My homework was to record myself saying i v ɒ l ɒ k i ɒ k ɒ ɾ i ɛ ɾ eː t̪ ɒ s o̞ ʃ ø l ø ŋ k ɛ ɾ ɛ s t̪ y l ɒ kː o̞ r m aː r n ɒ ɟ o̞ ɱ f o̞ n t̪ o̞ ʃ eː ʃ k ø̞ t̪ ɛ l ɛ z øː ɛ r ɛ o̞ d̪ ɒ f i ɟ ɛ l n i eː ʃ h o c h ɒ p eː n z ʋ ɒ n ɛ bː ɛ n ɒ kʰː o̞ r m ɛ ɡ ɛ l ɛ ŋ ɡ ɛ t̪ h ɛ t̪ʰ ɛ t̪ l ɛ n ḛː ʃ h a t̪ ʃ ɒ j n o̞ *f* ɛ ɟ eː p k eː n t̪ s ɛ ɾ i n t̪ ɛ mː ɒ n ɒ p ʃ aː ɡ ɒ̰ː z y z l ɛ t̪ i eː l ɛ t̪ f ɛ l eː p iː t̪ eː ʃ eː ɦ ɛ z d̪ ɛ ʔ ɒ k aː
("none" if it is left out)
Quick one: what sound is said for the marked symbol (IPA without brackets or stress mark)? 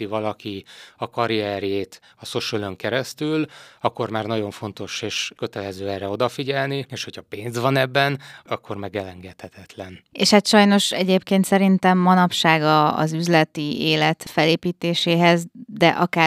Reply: ʃ